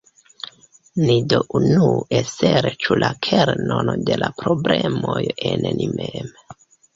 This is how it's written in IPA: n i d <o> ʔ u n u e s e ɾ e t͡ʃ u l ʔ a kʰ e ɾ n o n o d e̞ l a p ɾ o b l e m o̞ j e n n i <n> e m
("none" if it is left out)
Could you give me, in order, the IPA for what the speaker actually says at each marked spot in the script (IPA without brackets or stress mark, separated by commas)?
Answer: o, m